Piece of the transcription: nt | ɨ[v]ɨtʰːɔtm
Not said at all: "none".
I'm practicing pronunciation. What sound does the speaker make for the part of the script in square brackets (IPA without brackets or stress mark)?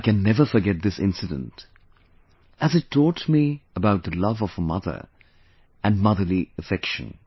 z